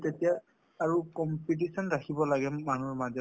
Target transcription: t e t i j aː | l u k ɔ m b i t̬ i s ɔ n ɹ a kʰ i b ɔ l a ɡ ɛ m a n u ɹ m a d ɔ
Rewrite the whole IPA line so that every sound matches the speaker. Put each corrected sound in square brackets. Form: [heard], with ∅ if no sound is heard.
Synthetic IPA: t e t i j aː | [ɹ] u k ɔ m [p] i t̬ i s ɔ n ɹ a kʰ i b ɔ l a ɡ ɛ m a n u ɹ m a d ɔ